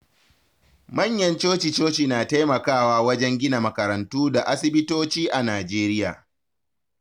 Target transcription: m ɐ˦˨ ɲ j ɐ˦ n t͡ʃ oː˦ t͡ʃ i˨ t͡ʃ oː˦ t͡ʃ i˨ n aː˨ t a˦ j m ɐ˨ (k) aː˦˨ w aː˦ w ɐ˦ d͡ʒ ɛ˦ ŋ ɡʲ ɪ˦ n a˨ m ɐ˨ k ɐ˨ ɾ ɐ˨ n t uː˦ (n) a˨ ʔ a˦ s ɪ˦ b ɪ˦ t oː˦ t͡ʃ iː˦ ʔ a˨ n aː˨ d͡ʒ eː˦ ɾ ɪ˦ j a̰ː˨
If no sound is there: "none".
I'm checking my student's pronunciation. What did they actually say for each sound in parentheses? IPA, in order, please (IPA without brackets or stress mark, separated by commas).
k, d